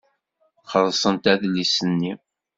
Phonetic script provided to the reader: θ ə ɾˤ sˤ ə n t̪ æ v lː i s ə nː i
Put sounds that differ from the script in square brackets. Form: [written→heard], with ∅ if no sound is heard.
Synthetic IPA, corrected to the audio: [θ→χ] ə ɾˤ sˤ ə n t̪ æ [v→ð] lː i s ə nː i